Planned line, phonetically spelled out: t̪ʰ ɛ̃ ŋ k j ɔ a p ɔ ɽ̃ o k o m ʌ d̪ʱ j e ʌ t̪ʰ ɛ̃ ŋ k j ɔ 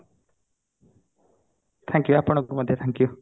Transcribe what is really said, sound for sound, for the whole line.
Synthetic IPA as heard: t̪ʰ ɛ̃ ŋ k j u a p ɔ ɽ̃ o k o m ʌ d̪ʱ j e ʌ t̪ʰ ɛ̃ ŋ k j u